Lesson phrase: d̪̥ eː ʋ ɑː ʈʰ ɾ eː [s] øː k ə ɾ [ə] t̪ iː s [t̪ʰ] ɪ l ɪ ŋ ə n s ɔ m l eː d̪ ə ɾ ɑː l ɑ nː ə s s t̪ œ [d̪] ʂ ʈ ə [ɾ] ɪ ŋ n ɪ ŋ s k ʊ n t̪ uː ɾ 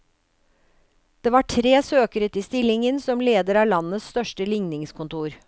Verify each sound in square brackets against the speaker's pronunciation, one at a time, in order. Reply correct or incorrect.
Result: correct, correct, incorrect: t̪, incorrect: none, incorrect: l

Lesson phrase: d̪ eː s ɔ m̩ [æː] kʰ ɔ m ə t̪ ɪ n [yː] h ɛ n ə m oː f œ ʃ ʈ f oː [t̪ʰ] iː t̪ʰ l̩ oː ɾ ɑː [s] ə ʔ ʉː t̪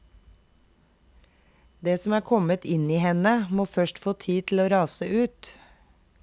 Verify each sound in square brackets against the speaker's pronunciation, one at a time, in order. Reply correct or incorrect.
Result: correct, incorrect: iː, correct, correct

